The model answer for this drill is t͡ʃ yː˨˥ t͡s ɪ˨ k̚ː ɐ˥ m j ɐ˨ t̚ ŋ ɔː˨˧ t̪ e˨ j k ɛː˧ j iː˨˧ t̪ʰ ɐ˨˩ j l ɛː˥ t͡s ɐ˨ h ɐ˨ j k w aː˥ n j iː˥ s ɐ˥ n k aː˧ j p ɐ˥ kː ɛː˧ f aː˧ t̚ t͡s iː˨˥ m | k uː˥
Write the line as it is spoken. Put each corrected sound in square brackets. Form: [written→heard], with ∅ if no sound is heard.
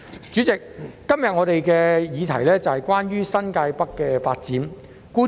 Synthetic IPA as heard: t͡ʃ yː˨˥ t͡s ɪ˨ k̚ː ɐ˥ m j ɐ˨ t̚ ŋ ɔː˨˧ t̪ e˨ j k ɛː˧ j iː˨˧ t̪ʰ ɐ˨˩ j l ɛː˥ t͡s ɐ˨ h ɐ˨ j k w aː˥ n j [iː˥→yː˥] s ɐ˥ n k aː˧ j p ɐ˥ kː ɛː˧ f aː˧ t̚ t͡s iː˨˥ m | k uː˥